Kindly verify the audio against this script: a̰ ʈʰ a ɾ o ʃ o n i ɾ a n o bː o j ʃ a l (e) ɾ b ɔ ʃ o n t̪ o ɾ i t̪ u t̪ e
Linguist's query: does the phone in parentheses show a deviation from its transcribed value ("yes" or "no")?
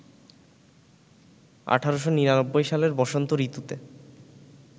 no